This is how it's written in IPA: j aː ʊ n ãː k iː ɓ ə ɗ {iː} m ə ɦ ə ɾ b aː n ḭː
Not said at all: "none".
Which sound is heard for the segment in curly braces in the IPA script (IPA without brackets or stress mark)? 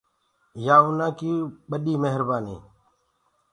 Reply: iː